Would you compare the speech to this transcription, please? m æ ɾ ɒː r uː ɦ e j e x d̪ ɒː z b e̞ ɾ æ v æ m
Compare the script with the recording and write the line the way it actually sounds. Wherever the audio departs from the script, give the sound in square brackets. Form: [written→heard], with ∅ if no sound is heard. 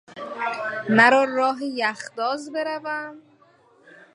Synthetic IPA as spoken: m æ ɾ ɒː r [uː→ɒː] ɦ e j [e→æ] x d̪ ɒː z b e̞ ɾ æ v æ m